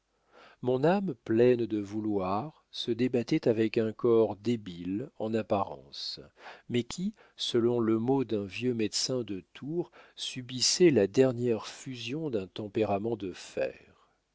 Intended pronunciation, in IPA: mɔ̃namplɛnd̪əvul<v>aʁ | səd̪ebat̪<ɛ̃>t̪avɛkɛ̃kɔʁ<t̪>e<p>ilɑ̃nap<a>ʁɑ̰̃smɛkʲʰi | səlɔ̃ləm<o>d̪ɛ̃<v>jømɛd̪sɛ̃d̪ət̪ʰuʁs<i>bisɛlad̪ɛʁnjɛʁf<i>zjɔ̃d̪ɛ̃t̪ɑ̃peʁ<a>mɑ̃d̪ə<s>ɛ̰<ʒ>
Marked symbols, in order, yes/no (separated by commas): no, no, no, no, yes, yes, yes, no, no, yes, no, no